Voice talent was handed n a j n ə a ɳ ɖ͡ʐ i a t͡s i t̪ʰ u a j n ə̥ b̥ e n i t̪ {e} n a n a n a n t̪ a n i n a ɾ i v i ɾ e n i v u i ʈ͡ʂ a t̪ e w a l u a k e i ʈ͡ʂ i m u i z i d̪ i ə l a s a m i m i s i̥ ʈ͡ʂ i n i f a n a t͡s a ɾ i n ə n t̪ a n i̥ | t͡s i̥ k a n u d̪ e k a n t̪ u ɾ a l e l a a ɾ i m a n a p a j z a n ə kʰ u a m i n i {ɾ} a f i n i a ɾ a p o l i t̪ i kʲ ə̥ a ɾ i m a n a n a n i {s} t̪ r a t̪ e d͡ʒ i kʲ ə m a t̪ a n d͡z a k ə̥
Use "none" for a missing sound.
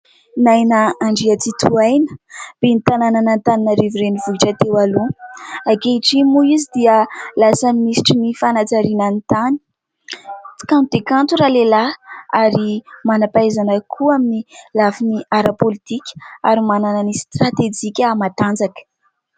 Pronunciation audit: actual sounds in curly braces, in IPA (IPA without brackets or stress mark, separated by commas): a, l, s